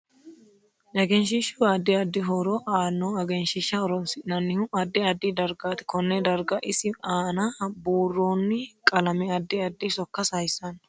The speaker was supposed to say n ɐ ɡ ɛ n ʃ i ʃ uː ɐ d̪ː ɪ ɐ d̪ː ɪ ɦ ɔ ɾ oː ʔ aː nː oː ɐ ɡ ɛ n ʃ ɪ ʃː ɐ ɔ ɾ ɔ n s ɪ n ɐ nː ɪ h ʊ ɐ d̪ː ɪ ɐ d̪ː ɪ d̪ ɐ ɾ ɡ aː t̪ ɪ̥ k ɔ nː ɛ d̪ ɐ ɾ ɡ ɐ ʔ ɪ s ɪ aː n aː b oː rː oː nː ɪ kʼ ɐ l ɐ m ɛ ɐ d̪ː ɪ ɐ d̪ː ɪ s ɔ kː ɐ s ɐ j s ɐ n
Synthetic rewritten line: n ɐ ɡ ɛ n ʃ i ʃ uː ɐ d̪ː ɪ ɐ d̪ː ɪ ɦ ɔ ɾ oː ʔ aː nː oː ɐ ɡ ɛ n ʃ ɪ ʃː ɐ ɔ ɾ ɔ n s ɪ n ɐ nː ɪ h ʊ ɐ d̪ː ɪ ɐ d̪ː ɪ d̪ ɐ ɾ ɡ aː t̪ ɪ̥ k ɔ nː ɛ d̪ ɐ ɾ ɡ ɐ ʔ ɪ s ɪ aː n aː b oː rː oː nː ɪ kʼ ɐ l ɐ m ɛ ɐ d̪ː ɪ ɐ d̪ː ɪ s ɔ kː ɐ s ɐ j s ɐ n